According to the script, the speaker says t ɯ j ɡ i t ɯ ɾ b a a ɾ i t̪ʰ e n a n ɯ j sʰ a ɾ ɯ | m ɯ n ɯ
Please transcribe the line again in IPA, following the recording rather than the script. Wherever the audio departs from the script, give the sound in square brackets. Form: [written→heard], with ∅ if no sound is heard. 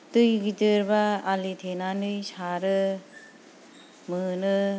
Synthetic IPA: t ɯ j ɡ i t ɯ ɾ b a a [ɾ→l] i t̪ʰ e n a n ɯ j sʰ a ɾ ɯ | m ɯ n ɯ